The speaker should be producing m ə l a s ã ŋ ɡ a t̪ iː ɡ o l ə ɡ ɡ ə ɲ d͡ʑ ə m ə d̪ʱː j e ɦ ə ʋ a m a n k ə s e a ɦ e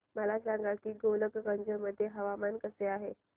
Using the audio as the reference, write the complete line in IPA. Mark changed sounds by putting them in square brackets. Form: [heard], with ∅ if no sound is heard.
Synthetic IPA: m ə l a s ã ŋ ɡ a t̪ iː ɡ o l ə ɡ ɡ ə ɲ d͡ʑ ə m ə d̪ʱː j e ɦ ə ʋ a m a n k ə s e a ɦ e